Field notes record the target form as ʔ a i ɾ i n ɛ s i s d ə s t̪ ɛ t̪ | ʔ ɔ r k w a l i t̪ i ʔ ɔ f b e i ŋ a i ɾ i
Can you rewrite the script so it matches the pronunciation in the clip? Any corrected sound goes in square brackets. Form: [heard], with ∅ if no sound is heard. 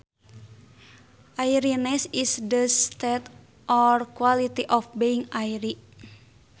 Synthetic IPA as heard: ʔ a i ɾ i n ɛ s i s d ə s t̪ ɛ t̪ | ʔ ɔ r k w a l i t̪ i ʔ ɔ f b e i ŋ a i ɾ i